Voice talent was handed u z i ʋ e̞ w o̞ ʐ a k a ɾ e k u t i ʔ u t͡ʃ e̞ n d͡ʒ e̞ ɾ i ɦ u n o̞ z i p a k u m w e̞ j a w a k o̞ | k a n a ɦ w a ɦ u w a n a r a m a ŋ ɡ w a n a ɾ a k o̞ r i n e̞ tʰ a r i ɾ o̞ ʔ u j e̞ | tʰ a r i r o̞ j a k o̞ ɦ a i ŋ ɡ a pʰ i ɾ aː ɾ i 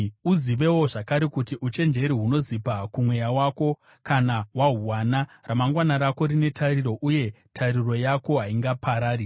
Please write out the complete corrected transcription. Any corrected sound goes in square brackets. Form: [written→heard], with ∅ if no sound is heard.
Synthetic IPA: u z i ʋ e̞ w o̞ ʐ a k a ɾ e k u t i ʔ u t͡ʃ e̞ n d͡ʒ e̞ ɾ i ɦ u n o̞ z i p a k u m w e̞ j a w a k o̞ | k a n a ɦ w a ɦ u w a n a r a m a ŋ ɡ w a n a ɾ a k o̞ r i n e̞ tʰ a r i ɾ o̞ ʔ u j e̞ | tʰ a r i r o̞ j a k o̞ ɦ a i ŋ ɡ a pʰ [i→a] ɾ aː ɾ i